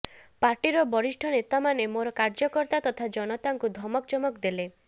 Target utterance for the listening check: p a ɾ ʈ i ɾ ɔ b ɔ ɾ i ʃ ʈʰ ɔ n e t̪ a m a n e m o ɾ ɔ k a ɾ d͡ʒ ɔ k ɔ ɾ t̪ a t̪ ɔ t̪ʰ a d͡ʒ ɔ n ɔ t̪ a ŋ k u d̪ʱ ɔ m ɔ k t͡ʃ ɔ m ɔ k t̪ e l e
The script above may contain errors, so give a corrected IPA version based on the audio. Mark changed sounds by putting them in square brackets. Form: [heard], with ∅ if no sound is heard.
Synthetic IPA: p a ɾ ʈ i ɾ ɔ b ɔ ɾ i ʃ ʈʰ ɔ n e t̪ a m a n e m o ɾ ɔ k a ɾ d͡ʒ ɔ k ɔ ɾ t̪ a t̪ ɔ t̪ʰ a d͡ʒ ɔ n ɔ t̪ a ŋ k u d̪ʱ ɔ m ɔ k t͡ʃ ɔ m ɔ k [d̪] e l e